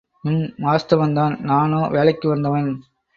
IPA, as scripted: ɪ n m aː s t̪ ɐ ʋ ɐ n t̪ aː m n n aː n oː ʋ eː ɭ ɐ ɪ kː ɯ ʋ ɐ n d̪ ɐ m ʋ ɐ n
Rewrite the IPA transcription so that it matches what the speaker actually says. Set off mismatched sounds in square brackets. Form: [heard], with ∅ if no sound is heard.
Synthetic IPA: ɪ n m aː s t̪ ɐ ʋ ɐ n [d̪] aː [∅] n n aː n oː ʋ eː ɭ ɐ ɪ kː ɯ ʋ ɐ n d̪ ɐ [∅] ʋ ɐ n